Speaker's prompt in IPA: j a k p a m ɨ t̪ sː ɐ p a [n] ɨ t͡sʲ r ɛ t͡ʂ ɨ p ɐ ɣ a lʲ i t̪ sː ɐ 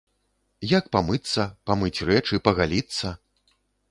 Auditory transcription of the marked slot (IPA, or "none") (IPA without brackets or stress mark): m